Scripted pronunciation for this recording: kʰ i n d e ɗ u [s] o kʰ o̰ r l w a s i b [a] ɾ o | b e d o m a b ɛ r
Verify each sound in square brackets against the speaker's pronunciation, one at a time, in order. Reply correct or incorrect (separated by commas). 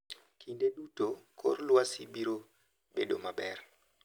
incorrect, incorrect